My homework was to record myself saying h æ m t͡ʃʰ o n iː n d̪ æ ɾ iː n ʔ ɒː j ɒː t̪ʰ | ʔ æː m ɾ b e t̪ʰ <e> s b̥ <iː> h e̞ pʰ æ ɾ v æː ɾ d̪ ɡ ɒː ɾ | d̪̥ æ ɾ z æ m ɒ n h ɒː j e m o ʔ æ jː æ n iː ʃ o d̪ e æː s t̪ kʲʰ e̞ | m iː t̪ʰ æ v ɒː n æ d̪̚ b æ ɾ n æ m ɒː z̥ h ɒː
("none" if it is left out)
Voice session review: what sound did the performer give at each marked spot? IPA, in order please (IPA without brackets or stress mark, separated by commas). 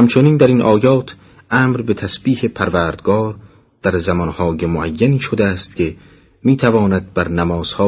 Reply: æ, iː